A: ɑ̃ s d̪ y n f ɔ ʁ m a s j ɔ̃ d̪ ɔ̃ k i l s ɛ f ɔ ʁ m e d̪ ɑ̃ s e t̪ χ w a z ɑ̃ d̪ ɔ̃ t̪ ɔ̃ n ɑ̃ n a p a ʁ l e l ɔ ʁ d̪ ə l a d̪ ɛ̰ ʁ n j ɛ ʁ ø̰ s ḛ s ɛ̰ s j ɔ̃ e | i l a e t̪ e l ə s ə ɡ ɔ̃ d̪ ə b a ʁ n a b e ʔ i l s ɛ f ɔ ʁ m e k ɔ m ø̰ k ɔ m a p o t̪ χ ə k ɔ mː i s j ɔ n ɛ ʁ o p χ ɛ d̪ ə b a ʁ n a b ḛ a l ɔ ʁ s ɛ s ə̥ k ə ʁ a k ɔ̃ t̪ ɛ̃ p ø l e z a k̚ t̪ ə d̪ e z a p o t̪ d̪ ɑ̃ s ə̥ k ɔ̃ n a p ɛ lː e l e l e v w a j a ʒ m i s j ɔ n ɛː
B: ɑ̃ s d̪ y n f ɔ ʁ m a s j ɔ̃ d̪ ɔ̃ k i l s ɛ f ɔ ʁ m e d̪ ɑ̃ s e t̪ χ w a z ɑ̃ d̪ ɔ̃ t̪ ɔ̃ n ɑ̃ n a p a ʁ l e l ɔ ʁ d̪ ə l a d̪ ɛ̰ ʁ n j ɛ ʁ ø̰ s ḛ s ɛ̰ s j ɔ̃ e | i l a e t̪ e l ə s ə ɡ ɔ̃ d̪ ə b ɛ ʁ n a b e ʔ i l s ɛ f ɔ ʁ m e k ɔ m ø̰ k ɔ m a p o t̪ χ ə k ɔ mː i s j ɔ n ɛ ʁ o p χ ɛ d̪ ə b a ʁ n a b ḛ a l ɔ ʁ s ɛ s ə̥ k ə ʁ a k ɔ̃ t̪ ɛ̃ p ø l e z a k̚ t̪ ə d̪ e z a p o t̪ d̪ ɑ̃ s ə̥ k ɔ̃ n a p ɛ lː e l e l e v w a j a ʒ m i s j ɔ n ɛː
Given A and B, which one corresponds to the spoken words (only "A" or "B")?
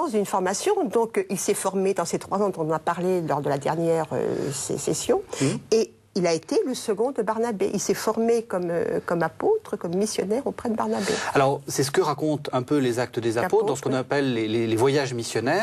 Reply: A